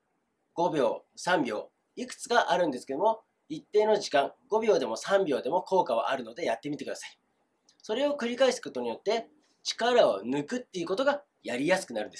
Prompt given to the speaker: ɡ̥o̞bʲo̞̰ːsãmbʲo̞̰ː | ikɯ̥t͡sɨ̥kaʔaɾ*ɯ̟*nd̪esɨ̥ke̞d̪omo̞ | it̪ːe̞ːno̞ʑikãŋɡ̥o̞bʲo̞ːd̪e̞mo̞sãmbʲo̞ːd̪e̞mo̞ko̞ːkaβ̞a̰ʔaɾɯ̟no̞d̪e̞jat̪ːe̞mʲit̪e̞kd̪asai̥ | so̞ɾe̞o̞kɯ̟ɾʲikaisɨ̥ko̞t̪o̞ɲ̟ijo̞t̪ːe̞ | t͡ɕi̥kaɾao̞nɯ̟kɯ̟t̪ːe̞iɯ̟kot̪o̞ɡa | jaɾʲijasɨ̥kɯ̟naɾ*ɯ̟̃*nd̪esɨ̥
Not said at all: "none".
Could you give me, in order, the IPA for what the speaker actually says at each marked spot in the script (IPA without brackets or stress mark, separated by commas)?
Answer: ɯ̟̃, ɯ̟